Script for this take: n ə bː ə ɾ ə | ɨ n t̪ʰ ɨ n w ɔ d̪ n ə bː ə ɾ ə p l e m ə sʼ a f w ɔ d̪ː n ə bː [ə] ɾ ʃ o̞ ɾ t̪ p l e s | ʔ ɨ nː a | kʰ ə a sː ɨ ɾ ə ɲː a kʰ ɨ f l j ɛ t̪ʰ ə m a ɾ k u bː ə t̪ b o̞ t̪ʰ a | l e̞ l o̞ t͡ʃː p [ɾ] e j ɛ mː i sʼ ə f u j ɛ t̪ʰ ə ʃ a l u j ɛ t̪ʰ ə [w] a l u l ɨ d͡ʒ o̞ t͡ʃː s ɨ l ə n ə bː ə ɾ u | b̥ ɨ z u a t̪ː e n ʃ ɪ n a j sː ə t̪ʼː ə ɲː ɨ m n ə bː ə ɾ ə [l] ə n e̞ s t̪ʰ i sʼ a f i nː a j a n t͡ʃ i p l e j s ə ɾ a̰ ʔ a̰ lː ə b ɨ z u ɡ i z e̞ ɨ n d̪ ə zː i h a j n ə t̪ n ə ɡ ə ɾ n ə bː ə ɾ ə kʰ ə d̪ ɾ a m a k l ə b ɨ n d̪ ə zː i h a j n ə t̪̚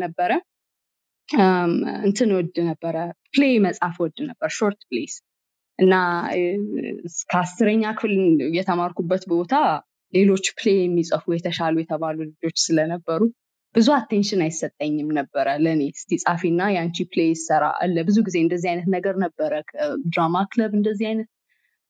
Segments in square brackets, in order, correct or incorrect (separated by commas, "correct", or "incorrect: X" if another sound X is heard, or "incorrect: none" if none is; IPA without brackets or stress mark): correct, incorrect: l, incorrect: β, correct